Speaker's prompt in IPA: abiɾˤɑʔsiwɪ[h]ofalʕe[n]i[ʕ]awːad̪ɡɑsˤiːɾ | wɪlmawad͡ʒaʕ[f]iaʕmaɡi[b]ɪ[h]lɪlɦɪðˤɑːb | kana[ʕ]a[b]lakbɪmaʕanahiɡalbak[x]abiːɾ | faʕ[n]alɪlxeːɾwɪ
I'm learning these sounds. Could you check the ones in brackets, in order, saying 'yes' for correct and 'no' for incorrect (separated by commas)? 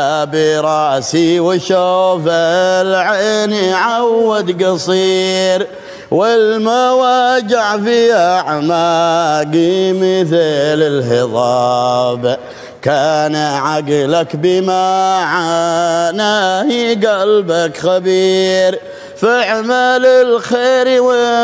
no, yes, yes, yes, no, no, yes, no, yes, no